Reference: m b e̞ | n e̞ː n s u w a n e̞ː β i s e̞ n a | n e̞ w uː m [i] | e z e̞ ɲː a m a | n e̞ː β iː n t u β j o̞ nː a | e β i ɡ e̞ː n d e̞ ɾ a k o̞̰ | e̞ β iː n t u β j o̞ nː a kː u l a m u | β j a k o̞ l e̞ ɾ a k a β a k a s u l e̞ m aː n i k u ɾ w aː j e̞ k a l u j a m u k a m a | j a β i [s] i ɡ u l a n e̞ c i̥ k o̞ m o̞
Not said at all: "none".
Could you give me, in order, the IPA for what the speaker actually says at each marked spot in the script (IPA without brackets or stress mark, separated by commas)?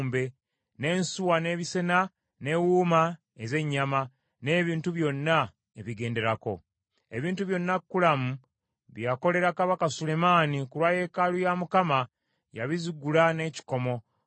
a, z